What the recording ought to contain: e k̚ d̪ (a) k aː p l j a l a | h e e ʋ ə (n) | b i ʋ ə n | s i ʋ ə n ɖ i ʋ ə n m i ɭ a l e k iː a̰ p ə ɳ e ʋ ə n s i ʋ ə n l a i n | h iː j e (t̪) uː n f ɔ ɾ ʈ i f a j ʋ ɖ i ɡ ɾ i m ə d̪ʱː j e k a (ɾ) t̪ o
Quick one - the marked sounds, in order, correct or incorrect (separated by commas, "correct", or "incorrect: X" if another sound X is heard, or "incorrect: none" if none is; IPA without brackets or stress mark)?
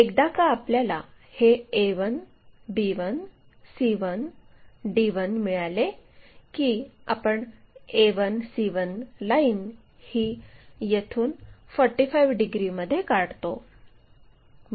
correct, correct, incorrect: t̪ʰ, incorrect: ɽ